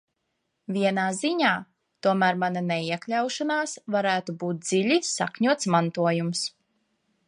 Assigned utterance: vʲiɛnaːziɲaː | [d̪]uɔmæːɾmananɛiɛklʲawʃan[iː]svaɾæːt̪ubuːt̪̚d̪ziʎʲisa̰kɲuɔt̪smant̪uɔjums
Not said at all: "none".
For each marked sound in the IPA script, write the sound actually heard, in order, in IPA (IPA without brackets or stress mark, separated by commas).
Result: t̪, aː